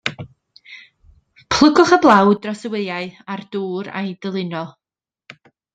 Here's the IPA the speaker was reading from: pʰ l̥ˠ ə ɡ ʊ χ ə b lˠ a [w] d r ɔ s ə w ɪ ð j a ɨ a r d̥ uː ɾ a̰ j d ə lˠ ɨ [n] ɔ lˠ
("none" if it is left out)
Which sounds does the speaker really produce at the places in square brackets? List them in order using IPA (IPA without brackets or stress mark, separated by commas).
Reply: w, n